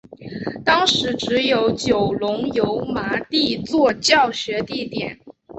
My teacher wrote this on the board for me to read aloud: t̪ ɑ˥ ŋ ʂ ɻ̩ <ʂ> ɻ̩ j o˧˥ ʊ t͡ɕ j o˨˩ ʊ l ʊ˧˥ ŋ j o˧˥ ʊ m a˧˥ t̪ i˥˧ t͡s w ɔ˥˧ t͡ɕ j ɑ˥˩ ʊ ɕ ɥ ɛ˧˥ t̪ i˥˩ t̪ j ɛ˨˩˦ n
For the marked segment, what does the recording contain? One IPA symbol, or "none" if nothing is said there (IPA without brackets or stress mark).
ʈ͡ʂ